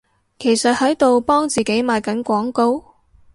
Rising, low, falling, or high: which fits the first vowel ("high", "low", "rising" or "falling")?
low